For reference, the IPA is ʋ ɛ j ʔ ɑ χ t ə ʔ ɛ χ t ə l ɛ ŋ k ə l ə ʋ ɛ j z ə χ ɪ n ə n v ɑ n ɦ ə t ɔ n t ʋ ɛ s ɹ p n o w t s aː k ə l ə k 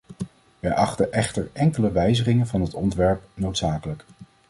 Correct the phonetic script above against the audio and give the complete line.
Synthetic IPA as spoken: ʋ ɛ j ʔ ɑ χ t ə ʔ ɛ χ t ə ɹ ɛ ŋ k ə l ə ʋ ɛ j z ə χ ɪ ŋ ə n v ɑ n ɦ ə t ɔ n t ʋ ɛ ɹ p n o w t s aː k ə l ə k